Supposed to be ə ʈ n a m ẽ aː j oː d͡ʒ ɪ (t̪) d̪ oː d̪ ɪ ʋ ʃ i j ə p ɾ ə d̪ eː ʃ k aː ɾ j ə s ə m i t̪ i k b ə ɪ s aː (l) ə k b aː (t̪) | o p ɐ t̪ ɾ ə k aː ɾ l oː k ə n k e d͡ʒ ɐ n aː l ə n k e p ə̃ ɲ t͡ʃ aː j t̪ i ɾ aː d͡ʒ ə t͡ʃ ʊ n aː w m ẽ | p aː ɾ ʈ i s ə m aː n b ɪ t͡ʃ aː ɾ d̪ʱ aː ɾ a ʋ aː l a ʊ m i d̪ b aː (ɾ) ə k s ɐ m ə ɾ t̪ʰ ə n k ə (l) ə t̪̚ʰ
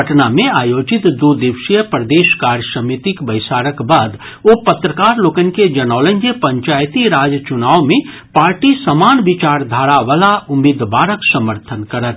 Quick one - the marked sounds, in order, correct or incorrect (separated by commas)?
correct, incorrect, incorrect, correct, incorrect